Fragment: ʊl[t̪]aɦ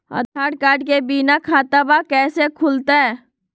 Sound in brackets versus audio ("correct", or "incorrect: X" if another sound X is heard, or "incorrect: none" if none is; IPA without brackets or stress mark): correct